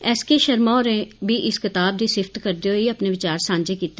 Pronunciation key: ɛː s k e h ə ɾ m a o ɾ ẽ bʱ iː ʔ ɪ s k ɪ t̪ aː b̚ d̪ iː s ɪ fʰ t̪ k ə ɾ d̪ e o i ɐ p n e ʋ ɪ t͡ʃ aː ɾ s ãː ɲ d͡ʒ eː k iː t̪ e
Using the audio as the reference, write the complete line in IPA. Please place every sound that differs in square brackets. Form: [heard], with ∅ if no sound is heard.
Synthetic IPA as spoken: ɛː s k e [ʃ] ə ɾ m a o ɾ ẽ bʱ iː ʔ ɪ s k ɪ t̪ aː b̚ d̪ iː s ɪ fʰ t̪ k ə ɾ d̪ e o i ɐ p n e ʋ ɪ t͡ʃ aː ɾ s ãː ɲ d͡ʒ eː k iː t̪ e